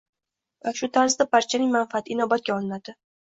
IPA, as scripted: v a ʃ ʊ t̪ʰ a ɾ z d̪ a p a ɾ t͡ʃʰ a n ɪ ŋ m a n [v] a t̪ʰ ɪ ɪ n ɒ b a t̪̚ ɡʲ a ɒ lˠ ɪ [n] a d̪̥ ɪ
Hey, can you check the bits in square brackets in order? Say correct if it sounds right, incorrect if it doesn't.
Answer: incorrect: f, correct

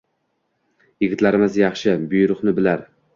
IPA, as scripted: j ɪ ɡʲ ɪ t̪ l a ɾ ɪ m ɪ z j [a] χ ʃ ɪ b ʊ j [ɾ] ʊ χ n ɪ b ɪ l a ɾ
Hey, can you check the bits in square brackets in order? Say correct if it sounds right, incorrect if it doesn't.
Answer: incorrect: ɑ, correct

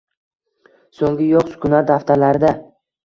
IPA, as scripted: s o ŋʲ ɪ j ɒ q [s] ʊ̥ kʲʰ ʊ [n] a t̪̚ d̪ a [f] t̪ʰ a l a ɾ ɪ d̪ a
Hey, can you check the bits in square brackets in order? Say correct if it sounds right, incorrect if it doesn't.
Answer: correct, correct, correct

